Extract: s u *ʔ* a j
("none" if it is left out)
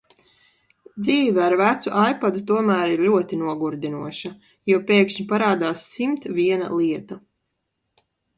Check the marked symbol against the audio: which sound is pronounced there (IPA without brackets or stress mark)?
ʔ